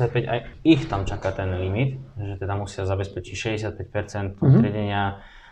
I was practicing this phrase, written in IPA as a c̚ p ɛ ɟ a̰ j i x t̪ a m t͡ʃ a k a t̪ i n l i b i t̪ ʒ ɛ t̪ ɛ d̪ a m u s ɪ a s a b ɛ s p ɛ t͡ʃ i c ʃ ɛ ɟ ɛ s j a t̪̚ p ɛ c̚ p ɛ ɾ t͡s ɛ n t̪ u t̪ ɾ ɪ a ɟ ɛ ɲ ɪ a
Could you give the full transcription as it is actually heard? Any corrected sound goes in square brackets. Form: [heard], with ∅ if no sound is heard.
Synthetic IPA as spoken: a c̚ p ɛ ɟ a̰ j i x t̪ a m t͡ʃ a k a t̪ [ɛ] n l i [m] i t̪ ʒ ɛ t̪ ɛ d̪ a m u s ɪ a [z] a b ɛ s p ɛ t͡ʃ i c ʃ ɛ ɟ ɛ s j a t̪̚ p ɛ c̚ p ɛ ɾ t͡s ɛ n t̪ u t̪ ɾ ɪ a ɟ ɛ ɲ ɪ a